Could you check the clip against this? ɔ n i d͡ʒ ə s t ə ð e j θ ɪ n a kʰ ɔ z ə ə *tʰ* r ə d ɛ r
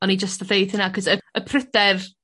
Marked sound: incorrect: pʰ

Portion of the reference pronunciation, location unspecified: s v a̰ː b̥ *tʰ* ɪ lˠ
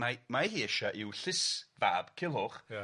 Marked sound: incorrect: kʰ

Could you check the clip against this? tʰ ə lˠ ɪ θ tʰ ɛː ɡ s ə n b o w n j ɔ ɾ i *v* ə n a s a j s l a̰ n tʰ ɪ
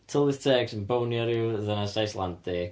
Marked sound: incorrect: ð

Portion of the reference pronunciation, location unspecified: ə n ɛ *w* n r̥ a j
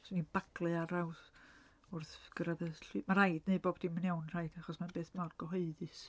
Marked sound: correct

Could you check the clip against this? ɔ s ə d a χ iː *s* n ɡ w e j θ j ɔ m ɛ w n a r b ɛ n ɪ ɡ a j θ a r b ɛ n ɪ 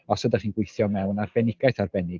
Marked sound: incorrect: none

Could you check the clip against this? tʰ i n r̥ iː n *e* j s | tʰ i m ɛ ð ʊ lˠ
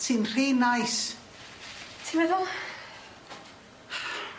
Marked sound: incorrect: a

